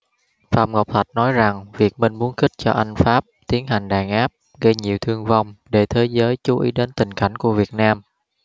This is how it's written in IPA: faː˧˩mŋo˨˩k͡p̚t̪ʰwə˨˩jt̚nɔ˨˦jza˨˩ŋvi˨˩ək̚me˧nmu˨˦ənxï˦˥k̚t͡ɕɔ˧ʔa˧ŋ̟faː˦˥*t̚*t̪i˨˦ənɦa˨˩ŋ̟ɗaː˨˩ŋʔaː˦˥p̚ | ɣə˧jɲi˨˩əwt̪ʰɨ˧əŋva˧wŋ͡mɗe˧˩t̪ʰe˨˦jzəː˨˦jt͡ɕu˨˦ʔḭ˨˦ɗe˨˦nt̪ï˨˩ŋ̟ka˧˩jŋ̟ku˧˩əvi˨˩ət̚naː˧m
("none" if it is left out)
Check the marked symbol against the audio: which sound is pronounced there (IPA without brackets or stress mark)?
p̚